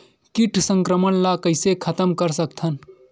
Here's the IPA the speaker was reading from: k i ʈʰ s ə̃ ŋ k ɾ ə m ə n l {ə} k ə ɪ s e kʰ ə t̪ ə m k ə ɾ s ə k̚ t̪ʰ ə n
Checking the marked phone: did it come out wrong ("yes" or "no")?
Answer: yes